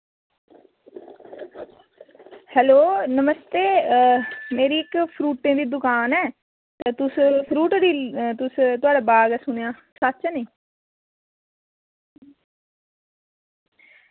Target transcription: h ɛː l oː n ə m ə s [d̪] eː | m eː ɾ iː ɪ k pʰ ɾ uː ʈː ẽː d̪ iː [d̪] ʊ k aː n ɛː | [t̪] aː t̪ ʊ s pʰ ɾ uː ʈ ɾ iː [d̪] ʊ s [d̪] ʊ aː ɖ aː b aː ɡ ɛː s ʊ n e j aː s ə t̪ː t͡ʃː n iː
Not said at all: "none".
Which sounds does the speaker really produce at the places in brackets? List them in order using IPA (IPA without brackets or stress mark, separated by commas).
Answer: t̪, d̪, t̪, t̪, t̪